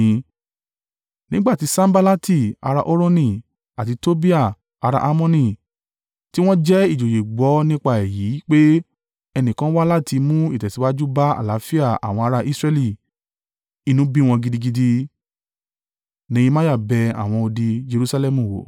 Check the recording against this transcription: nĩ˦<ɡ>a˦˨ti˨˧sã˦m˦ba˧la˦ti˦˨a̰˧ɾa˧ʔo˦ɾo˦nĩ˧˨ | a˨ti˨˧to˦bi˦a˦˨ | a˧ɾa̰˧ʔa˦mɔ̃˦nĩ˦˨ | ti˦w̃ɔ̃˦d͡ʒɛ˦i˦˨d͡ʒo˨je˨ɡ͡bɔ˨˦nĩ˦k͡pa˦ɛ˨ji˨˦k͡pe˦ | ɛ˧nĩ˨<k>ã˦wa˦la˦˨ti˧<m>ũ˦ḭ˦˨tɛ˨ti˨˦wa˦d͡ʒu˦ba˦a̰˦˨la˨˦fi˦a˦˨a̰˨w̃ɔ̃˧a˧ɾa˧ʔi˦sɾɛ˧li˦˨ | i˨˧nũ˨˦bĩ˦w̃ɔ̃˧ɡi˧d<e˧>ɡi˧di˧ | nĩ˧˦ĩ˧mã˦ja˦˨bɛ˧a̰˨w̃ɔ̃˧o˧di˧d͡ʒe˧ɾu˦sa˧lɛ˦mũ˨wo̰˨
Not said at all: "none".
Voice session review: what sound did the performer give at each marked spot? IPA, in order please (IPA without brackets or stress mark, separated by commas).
ɡ͡b, k, m, i˧